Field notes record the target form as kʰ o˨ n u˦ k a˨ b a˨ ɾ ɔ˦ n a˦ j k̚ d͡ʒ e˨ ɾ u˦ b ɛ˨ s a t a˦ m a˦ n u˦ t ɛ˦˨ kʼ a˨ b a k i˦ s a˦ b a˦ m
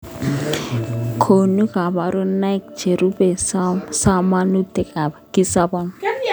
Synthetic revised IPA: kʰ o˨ n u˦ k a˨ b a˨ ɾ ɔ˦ n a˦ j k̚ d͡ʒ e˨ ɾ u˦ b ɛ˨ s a s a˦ m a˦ n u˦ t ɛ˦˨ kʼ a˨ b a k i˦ s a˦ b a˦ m